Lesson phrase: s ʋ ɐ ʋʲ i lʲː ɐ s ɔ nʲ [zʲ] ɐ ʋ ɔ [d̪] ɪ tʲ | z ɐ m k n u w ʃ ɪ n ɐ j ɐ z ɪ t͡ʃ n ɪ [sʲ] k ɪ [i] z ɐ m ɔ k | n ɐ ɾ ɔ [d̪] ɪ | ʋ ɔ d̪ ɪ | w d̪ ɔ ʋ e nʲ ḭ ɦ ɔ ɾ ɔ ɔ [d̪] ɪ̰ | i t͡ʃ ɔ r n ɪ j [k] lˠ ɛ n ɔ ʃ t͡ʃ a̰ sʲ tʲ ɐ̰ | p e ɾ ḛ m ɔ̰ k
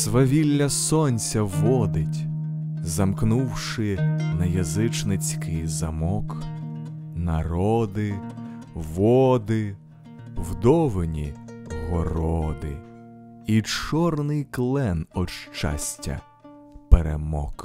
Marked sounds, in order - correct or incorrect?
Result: incorrect: sʲ, correct, incorrect: t͡sʲ, incorrect: j, correct, correct, correct

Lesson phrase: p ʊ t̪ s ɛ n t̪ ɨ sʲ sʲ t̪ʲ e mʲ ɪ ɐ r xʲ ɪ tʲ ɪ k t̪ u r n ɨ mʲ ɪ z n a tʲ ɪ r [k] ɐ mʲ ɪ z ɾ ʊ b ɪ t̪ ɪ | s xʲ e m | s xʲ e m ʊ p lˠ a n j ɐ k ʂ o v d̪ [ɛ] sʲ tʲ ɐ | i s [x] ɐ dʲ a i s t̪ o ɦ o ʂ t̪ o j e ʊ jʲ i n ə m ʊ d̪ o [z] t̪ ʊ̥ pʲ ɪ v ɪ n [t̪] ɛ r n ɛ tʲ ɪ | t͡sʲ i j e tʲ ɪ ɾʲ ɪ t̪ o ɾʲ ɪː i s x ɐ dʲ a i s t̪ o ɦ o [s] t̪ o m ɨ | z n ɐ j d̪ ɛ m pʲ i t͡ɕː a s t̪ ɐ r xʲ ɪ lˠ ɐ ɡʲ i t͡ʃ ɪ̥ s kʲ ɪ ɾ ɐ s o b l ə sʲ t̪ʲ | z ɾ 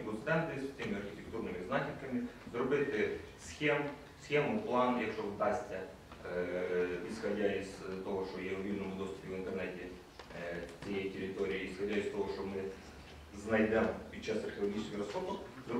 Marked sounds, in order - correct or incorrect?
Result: correct, incorrect: a, correct, incorrect: s, correct, incorrect: ʂ

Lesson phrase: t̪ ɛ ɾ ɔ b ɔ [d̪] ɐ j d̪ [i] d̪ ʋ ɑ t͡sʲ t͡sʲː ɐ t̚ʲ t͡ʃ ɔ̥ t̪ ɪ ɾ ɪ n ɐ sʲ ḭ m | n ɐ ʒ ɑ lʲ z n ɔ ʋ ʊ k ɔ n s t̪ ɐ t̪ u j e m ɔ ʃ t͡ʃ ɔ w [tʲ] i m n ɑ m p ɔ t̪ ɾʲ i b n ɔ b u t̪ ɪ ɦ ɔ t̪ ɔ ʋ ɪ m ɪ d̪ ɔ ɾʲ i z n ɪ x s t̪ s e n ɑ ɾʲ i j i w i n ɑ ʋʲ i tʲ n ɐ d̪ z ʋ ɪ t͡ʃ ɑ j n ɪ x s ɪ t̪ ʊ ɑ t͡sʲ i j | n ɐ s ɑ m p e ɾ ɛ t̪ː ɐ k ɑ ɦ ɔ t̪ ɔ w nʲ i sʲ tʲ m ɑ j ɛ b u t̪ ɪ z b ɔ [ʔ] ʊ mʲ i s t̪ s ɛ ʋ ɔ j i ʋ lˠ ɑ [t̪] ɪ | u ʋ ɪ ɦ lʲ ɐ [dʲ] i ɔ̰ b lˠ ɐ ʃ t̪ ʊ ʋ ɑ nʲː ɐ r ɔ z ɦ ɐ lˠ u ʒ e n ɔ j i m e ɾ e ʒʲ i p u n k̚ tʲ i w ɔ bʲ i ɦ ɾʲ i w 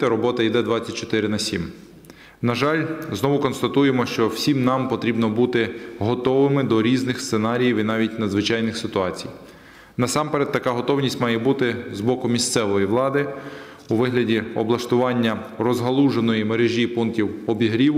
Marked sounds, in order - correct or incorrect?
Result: incorrect: t̪, incorrect: ɛ, incorrect: sʲ, incorrect: k, incorrect: d̪, correct

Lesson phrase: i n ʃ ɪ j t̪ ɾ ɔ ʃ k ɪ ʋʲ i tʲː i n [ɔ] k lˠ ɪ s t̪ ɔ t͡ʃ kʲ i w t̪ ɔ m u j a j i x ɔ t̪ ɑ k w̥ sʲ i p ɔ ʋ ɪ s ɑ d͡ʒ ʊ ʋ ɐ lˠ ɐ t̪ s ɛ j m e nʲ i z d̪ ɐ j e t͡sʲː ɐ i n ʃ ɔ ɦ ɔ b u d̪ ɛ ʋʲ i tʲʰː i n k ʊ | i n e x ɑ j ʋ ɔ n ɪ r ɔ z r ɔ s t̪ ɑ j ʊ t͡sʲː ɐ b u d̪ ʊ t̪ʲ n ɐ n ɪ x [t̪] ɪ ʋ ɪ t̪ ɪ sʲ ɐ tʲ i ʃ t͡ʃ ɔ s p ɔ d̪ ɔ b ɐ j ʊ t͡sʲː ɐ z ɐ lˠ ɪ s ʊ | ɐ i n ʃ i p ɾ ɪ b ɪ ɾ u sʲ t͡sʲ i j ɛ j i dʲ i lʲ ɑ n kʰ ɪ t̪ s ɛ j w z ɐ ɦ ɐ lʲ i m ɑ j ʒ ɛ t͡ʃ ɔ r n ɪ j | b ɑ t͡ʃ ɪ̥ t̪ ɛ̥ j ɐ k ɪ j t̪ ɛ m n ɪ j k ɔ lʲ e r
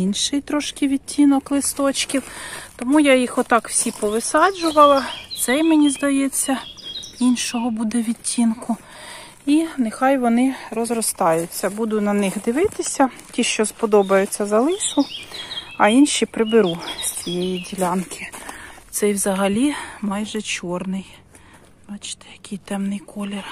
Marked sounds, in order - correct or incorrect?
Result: correct, incorrect: d̪

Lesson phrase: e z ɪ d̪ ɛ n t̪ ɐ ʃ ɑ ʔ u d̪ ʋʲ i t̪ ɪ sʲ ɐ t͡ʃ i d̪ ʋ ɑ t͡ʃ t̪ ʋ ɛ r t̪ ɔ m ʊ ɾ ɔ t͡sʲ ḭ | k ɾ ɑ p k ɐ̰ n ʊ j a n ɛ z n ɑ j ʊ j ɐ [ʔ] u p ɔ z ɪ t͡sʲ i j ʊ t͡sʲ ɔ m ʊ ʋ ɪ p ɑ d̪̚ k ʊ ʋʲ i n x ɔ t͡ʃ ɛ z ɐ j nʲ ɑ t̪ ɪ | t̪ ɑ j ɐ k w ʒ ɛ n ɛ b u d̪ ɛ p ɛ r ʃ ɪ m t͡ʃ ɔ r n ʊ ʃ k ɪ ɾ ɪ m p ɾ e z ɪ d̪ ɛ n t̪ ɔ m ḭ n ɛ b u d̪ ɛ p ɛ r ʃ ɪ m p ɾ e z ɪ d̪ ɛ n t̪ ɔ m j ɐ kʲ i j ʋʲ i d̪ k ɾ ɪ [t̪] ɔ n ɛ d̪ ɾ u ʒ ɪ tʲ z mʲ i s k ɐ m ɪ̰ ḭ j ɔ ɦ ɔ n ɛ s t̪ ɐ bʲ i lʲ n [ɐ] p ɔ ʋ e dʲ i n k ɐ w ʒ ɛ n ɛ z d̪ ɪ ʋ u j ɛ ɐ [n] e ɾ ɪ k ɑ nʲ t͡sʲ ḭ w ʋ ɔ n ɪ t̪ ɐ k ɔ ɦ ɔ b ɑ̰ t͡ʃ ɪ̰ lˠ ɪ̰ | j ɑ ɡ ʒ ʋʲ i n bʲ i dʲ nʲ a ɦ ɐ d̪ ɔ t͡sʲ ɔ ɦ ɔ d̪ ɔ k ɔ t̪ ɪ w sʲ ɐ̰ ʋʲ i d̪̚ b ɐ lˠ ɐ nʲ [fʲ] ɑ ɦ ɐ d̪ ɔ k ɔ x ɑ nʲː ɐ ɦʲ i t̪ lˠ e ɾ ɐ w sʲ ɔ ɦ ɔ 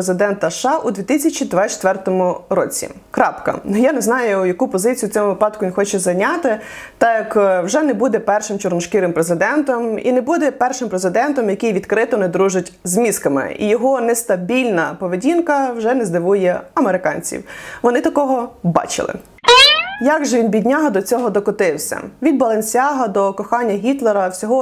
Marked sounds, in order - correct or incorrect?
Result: incorrect: k, correct, correct, incorrect: m, incorrect: sʲ

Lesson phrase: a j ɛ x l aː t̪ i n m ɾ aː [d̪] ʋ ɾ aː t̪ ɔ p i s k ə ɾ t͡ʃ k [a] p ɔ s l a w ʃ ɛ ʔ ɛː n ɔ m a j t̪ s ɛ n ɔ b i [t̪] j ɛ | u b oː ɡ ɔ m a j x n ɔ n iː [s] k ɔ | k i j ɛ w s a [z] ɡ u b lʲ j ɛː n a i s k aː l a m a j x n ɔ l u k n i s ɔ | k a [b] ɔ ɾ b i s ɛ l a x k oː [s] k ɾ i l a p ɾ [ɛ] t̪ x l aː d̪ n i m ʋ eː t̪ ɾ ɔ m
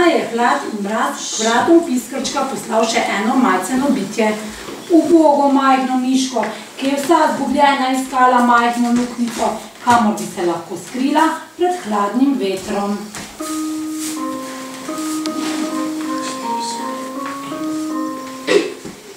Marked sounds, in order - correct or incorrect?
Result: incorrect: t̪, correct, correct, incorrect: ʃ, correct, incorrect: m, correct, correct

